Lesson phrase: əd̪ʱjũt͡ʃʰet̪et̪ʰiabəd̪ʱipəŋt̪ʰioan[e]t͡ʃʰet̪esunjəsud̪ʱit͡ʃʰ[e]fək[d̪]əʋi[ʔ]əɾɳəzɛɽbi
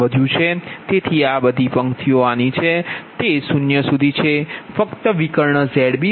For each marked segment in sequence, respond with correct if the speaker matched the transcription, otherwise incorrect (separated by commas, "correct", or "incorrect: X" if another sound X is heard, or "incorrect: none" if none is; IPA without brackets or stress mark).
incorrect: i, correct, incorrect: t̪, incorrect: k